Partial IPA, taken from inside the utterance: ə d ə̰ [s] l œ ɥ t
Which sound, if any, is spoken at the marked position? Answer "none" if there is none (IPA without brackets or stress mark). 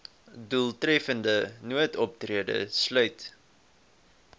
s